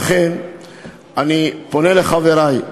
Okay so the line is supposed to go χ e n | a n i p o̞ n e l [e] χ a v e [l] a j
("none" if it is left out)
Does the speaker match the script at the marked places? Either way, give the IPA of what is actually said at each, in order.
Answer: e, ɾ

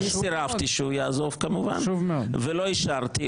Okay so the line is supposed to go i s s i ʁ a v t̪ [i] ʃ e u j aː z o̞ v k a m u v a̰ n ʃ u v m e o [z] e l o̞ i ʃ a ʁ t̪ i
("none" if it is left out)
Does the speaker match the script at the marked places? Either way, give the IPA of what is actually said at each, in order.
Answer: i, v

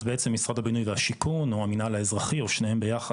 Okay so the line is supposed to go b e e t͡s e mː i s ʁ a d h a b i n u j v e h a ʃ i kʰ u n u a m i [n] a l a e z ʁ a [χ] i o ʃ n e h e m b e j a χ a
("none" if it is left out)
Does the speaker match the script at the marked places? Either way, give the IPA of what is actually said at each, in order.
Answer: n, χ

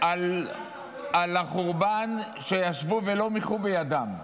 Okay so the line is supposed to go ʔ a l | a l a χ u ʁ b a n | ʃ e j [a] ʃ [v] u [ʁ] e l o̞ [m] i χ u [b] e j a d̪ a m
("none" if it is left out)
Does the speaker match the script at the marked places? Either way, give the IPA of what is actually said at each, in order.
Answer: a, v, v, m, b

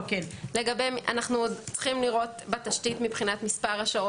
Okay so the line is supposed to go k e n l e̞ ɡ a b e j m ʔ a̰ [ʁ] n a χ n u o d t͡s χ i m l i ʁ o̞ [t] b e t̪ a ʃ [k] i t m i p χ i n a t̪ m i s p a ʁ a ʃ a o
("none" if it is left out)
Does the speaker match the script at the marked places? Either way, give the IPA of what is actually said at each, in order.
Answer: none, t, t

